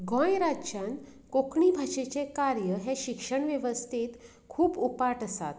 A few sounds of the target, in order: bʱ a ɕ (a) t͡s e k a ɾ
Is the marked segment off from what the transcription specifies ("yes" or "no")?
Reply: yes